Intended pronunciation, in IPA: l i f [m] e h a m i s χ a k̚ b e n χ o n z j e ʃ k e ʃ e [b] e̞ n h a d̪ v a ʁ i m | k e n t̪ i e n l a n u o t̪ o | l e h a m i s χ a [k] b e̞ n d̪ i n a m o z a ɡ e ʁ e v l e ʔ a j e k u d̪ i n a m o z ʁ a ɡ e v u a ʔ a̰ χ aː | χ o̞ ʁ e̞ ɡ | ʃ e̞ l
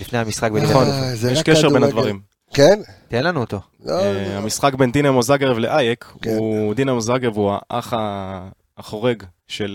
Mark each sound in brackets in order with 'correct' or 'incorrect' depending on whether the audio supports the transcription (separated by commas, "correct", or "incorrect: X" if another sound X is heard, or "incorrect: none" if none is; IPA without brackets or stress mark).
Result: incorrect: n, correct, correct